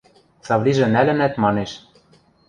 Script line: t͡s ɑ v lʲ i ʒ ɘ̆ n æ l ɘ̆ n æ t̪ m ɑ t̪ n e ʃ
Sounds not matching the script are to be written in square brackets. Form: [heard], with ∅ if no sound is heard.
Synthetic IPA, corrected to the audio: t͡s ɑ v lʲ i ʒ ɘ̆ n æ l ɘ̆ n æ t̪ m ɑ [∅] n e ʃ